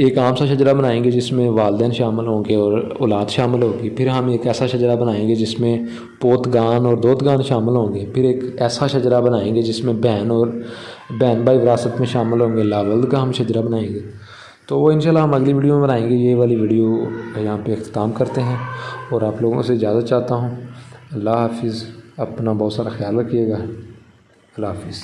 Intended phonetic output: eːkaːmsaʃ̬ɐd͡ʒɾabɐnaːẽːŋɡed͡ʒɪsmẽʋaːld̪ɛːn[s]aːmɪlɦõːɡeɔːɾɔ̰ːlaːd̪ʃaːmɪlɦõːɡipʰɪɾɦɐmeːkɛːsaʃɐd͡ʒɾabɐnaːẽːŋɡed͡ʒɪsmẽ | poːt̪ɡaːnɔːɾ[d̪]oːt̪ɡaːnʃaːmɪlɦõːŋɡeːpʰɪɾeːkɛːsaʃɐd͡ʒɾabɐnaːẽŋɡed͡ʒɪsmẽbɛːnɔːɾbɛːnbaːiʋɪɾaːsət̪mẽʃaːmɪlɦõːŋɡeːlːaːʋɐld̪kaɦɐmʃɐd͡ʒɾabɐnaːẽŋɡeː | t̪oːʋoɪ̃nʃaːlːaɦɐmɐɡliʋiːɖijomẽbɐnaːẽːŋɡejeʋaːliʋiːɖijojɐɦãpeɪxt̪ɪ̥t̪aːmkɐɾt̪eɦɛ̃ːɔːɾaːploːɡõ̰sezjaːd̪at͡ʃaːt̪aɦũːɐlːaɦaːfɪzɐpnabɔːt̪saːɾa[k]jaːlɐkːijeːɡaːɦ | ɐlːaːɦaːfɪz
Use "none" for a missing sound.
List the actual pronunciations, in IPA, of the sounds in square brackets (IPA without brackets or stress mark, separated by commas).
ʃ, d̪, x